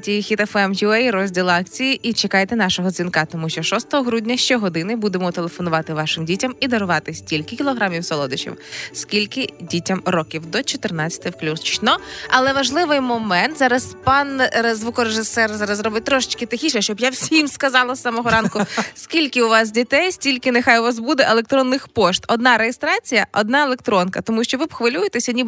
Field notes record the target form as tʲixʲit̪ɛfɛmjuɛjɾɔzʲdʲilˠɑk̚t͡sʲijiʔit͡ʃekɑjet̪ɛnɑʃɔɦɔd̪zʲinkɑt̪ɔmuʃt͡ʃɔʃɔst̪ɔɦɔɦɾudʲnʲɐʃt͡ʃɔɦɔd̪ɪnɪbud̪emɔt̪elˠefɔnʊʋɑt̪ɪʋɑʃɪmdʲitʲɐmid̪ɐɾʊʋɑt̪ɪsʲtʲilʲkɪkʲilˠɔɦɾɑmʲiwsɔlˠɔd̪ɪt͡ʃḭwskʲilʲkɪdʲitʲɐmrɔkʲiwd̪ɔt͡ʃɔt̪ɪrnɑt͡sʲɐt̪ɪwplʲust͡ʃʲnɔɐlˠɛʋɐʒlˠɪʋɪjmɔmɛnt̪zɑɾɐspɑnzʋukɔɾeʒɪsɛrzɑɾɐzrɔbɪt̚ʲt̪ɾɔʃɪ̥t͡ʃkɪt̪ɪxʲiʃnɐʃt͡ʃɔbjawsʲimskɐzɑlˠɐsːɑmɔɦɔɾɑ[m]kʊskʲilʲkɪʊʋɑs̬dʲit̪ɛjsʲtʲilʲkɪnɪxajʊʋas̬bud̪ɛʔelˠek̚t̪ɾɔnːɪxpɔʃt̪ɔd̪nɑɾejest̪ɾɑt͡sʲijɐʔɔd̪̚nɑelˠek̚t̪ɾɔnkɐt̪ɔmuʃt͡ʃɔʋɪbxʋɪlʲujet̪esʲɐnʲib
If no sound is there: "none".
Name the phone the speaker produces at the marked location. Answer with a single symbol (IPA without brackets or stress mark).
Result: n